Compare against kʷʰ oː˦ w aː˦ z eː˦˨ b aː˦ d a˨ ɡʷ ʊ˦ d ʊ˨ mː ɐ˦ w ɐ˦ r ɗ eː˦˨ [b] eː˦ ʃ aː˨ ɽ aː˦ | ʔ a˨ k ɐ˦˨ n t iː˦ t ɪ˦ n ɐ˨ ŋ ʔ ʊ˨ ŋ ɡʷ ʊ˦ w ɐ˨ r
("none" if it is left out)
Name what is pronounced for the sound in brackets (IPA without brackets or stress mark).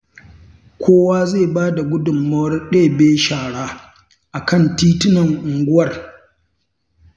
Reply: b